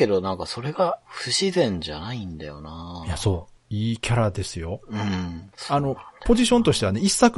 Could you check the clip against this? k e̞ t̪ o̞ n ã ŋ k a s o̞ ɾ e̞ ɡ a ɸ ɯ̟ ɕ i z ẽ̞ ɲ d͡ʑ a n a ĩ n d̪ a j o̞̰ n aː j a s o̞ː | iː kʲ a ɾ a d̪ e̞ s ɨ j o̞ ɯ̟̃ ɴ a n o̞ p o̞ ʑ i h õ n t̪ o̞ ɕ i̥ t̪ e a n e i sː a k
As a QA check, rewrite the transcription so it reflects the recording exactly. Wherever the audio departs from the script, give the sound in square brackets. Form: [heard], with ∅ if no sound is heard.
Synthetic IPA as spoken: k e̞ [d̪] o̞ n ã ŋ k a s o̞ ɾ e̞ ɡ a ɸ ɯ̟ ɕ i z ẽ̞ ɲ d͡ʑ a n a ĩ n d̪ a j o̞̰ n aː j a s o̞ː | iː kʲ a ɾ a d̪ e̞ s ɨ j o̞ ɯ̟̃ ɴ a n o̞ p o̞ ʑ i [ɕ] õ n t̪ o̞ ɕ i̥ t̪ e a n e i sː a k